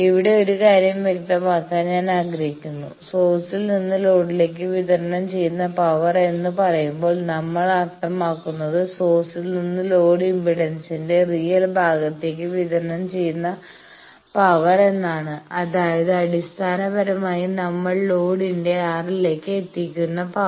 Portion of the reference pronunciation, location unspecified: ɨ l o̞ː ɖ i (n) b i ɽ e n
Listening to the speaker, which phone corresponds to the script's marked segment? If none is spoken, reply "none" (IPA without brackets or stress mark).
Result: m